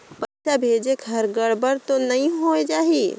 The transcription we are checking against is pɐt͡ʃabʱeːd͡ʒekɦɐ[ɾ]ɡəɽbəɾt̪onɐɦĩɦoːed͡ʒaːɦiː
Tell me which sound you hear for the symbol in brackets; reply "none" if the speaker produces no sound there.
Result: ɾ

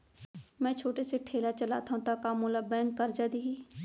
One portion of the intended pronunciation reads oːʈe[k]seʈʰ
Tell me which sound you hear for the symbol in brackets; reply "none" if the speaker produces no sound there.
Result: none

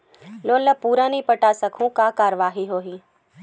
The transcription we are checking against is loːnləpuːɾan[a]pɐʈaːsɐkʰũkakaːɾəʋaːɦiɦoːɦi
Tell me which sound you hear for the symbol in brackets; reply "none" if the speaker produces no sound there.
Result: i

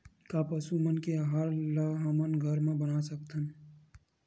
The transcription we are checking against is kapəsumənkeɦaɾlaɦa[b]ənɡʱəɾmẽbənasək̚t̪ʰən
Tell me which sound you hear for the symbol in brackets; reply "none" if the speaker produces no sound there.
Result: m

